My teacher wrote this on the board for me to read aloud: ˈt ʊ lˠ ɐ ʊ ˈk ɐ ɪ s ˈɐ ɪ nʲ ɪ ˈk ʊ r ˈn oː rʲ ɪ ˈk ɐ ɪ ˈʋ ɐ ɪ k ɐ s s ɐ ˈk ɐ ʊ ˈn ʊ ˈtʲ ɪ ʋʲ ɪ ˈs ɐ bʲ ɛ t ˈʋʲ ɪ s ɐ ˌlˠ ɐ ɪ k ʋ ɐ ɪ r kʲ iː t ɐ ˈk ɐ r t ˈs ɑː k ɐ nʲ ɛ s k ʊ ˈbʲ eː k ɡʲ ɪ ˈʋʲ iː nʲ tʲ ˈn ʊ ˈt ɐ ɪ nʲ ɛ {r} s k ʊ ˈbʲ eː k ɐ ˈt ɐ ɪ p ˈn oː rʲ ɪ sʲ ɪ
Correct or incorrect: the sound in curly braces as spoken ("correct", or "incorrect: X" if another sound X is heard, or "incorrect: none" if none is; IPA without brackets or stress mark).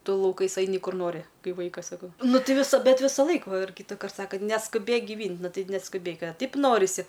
incorrect: none